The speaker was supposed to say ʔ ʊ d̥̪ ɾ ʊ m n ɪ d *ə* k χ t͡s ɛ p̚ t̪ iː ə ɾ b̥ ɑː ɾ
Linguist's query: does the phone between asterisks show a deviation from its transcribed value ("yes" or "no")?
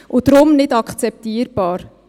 yes